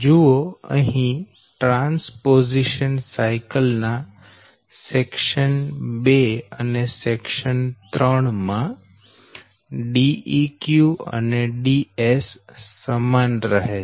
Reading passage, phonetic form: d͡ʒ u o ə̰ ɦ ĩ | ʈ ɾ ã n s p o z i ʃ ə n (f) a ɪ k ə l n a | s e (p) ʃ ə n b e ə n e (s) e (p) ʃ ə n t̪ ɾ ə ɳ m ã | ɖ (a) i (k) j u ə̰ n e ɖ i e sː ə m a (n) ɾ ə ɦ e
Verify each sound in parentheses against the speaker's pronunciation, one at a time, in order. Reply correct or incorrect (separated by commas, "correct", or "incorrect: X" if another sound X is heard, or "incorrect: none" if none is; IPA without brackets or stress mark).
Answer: incorrect: s, incorrect: k, correct, incorrect: k, incorrect: i, correct, correct